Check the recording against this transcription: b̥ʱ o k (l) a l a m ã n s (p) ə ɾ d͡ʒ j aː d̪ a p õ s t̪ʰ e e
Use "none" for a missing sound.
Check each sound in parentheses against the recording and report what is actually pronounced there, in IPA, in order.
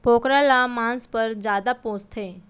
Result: ɾ, p

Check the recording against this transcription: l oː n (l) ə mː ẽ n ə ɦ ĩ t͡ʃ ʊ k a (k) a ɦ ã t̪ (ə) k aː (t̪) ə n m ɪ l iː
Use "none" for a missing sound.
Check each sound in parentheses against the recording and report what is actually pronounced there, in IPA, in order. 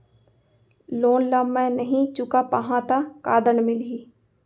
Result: l, p, a, d̪

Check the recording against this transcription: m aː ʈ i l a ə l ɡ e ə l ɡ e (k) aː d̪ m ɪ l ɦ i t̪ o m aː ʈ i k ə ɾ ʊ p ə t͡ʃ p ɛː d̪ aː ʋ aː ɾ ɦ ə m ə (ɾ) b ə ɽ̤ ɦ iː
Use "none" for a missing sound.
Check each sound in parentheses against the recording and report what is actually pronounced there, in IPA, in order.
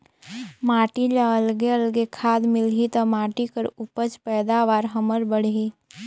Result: kʰ, ɾ

